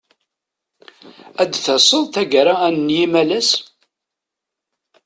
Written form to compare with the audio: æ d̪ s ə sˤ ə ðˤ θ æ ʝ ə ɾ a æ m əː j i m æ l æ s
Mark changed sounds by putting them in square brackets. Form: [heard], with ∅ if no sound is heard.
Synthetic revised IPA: æ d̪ [θ] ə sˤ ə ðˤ θ æ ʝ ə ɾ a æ [n] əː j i m æ l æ s